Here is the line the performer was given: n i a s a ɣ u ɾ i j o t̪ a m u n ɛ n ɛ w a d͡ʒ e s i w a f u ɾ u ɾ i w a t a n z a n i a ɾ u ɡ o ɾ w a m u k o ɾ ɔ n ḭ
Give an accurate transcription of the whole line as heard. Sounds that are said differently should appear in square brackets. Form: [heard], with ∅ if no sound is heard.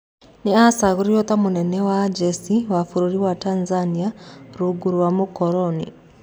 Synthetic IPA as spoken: n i a s a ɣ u ɾ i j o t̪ a m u n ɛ n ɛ w a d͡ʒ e s i w a f u ɾ u ɾ i w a t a n z a n i a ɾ u ɡ [u] ɾ w a m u k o ɾ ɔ n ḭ